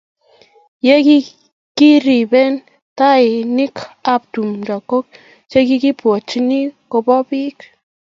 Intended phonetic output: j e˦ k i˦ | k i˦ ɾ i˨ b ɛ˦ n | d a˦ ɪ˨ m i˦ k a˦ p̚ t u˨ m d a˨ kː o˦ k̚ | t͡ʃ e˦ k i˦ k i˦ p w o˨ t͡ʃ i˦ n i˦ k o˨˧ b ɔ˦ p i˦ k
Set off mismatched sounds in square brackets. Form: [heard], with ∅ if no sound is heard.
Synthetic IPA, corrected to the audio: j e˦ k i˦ | k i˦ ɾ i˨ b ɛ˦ n | [t] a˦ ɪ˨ [n] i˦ k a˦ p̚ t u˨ m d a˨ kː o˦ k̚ | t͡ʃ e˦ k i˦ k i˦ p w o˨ t͡ʃ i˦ n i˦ k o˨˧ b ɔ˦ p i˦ k